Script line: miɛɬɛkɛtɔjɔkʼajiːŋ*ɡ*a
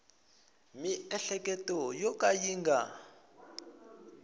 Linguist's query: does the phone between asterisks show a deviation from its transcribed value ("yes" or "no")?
no